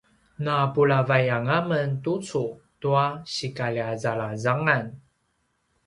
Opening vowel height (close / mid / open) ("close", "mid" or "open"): open